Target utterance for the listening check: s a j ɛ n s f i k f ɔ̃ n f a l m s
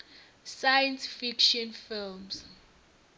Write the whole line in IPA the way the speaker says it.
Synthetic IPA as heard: s a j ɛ n s f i k ʃ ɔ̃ n f i l m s